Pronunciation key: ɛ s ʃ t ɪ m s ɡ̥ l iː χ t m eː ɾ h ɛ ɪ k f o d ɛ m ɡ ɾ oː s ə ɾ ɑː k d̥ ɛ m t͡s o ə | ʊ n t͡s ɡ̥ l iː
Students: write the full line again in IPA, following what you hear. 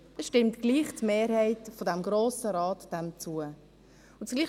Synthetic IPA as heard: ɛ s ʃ t ɪ m t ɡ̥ l iː χ t m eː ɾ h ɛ ɪ t f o d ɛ m ɡ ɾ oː s ə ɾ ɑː t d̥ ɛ m t͡s u ə | ʊ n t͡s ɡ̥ l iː